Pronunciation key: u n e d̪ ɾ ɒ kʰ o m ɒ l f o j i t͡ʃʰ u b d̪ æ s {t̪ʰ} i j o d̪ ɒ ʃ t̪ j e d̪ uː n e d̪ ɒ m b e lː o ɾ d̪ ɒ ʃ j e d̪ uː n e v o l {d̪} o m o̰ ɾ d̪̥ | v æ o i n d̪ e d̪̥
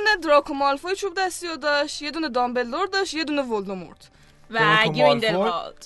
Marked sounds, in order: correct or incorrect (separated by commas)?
incorrect, correct